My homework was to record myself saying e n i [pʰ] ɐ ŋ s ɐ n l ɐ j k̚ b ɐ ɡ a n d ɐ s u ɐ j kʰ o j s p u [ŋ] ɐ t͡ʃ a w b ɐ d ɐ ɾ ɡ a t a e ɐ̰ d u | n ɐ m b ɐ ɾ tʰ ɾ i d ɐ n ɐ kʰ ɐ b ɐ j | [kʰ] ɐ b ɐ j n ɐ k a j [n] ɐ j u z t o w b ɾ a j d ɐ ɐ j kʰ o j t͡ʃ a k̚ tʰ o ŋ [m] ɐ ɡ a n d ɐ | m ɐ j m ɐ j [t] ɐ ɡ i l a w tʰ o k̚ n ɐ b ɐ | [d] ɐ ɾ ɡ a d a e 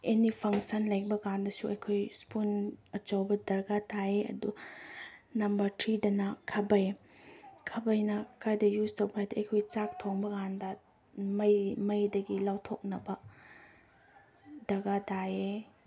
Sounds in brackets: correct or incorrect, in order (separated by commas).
correct, incorrect, correct, incorrect, incorrect, incorrect, correct